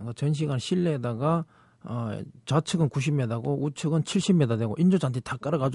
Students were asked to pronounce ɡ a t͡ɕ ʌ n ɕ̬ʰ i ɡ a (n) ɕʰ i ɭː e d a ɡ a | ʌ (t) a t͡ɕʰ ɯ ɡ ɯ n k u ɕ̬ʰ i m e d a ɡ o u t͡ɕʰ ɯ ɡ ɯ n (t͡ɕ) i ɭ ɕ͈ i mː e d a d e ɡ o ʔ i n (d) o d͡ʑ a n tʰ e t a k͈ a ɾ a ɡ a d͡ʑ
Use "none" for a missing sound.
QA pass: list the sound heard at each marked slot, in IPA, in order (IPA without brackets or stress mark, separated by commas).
n, t͡ɕ, t͡ɕʰ, d͡ʑ